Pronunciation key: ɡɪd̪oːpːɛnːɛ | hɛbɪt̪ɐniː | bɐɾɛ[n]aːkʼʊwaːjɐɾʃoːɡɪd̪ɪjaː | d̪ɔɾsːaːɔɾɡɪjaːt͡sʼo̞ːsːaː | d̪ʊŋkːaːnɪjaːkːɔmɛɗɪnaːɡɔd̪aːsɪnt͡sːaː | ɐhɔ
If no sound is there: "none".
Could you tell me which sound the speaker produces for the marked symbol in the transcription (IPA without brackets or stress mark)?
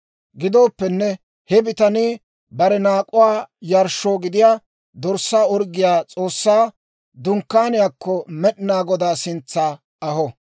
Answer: n